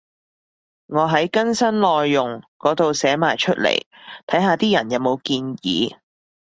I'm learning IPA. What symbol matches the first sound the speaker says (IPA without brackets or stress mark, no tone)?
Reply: ŋ